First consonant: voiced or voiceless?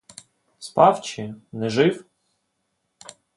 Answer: voiceless